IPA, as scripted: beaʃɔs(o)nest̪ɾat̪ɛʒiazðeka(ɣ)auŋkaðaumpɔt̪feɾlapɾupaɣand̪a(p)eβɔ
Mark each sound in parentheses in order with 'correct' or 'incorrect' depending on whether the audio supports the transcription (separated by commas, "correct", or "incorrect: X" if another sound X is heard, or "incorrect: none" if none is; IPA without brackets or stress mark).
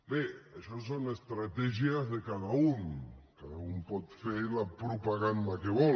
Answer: correct, incorrect: ð, incorrect: k